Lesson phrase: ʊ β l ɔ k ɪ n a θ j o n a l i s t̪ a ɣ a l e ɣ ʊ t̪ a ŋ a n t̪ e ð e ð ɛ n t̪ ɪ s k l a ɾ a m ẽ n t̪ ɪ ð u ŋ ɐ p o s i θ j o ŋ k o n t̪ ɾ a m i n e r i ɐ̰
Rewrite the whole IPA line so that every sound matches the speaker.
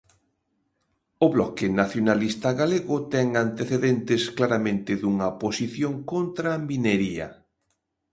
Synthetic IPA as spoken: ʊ β l ɔ k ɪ n a θ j o n a l i s t̪ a ɣ a l e ɣ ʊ t̪ ɛ ŋ a n t̪ e θ e ð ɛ n t̪ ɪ s k l a ɾ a m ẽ n t̪ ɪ ð u ŋ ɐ p o s i θ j o ŋ k o n t̪ ɾ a m i n e ɾ i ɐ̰

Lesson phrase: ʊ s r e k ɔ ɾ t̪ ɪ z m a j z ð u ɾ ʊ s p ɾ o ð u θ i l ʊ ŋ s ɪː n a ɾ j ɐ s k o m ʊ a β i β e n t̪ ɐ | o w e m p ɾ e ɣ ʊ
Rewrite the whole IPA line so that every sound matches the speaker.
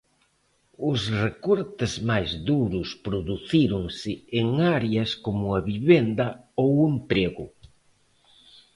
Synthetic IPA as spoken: ʊ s r e k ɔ ɾ t̪ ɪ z m a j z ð u ɾ ʊ s p ɾ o ð u θ i ɾ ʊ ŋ s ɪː ŋ a ɾ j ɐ s k o m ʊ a β i β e n d̪ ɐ | o w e m p ɾ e ɣ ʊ

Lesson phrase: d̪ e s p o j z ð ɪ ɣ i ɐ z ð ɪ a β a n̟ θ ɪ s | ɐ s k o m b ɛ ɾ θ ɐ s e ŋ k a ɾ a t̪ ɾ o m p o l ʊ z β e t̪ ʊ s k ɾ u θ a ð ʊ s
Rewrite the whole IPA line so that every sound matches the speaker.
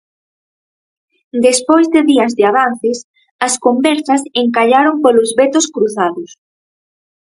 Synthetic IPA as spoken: d̪ e s p o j z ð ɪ ð i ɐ z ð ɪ a β a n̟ θ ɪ s | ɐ s k o m b ɛ ɾ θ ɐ s e ŋ k a ʎ a ɾ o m p o l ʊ z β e t̪ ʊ s k ɾ u θ a ð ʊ s

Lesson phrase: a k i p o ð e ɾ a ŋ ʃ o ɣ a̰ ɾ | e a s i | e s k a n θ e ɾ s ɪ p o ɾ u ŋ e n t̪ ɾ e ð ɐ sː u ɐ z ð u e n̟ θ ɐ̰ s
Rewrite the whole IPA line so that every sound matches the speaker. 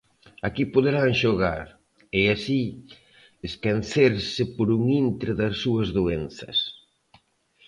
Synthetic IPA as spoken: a k i p o ð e ɾ a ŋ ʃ o ɣ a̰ ɾ | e a s i | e s k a n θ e ɾ s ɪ p o ɾ u ŋ i n t̪ ɾ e ð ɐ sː u ɐ z ð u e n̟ θ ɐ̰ s

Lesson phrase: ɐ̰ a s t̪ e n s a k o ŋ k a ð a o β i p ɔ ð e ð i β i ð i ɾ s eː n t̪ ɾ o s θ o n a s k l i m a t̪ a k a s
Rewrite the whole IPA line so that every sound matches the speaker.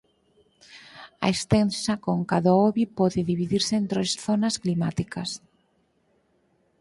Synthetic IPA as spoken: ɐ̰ e s t̪ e n s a k o ŋ k a ð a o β i p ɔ ð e ð i β i ð i ɾ s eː n t̪ ɾ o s θ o n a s k l i m a t̪ i k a s

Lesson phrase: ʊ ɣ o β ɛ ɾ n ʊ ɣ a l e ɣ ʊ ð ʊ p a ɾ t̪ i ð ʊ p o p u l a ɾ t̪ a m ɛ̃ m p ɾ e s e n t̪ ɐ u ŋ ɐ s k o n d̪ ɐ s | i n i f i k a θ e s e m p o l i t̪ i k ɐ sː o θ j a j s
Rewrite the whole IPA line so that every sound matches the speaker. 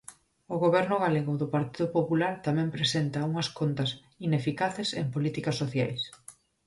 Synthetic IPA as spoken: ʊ ɣ o β ɛ ɾ n ʊ ɣ a l e ɣ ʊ ð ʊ p a ɾ t̪ i ð ʊ p o p u l a ɾ t̪ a m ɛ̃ m p ɾ e s e n t̪ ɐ u ŋ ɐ s k o n t̪ ɐ s | i n e f i k a θ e s e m p o l i t̪ i k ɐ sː o θ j a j s

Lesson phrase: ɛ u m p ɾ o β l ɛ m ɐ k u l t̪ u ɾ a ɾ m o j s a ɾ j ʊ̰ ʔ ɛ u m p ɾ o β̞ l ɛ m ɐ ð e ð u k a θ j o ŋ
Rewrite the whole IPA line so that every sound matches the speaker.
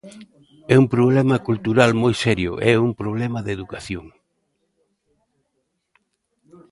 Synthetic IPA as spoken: ɛ u m p ɾ o β l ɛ m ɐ k u l t̪ u ɾ a l m o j s ɛ ɾ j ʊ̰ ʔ ɛ u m p ɾ o β̞ l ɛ m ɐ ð e ð u k a θ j o ŋ

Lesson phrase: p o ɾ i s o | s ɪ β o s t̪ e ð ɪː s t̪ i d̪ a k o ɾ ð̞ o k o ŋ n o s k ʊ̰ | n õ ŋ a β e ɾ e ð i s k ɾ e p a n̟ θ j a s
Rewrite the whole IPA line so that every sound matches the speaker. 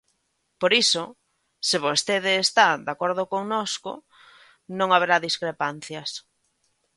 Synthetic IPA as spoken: p o ɾ i s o | s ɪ β o s t̪ e ð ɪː s t̪ a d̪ a k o ɾ ð̞ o k o ŋ n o s k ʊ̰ | n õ ŋ a β e ɾ a ð i s k ɾ e p a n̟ θ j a s

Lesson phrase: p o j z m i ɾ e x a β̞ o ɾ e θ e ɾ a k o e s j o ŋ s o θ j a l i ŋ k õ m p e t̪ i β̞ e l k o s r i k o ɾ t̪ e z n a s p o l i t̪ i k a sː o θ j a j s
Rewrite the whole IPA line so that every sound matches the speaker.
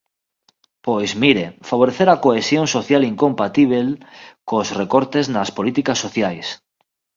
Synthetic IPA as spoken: p o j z m i ɾ e f a β̞ o ɾ e θ e ɾ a k o e s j o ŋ s o θ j a l i ŋ k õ m p a t̪ i β̞ e l k o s r e k o ɾ t̪ e z n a s p o l i t̪ i k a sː o θ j a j s

